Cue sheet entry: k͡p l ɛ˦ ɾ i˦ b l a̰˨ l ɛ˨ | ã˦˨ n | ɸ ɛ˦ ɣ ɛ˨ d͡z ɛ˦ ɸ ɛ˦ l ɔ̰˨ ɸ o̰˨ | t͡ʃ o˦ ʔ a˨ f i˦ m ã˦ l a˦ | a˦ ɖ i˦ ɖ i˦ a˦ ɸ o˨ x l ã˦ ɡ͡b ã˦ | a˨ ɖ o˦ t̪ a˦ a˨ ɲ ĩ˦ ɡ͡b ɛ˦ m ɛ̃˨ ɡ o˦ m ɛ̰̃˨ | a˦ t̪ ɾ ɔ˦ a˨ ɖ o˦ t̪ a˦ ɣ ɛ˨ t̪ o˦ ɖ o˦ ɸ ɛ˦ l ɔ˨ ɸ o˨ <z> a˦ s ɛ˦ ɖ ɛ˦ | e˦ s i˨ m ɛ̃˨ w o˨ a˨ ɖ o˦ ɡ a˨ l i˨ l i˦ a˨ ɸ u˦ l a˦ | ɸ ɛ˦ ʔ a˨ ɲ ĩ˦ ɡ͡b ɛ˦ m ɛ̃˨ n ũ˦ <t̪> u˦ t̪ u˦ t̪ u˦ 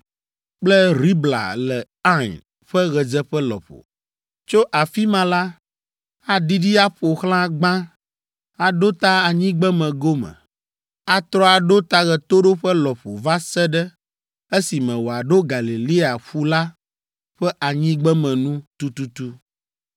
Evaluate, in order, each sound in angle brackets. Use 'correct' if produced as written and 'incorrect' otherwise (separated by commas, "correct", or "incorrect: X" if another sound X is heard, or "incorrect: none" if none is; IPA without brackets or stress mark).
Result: incorrect: v, correct